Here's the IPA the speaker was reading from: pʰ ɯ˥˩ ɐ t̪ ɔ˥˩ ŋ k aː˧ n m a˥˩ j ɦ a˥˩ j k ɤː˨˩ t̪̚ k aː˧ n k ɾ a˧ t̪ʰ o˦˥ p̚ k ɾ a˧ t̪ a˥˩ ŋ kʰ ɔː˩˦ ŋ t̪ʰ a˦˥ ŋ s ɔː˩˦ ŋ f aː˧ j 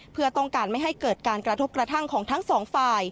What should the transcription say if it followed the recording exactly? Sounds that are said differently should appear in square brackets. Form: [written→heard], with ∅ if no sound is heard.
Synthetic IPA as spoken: pʰ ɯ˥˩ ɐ t̪ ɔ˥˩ ŋ k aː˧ n m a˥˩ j ɦ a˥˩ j k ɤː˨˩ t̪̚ k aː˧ n k ɾ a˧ t̪ʰ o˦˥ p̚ k ɾ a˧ [t̪→t̪ʰ] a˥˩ ŋ kʰ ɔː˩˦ ŋ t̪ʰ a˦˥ ŋ s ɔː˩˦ ŋ f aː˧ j